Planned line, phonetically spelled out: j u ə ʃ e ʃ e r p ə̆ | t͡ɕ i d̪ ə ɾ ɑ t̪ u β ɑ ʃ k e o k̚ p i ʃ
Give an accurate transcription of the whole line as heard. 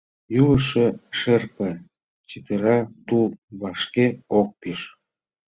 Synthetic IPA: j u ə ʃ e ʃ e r p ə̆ | t͡ɕ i t̪ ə ɾ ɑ t̪ u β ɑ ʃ k e o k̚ p i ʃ